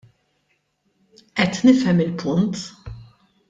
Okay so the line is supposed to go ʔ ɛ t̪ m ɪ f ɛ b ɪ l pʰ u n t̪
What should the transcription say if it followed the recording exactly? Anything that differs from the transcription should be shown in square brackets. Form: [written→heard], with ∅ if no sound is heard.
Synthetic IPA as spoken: ʔ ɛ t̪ [m→n] ɪ f ɛ [b→m] ɪ l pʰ [u→ʊ] n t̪